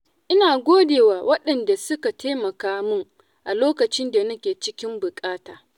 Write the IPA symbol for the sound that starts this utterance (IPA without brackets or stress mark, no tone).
ʔ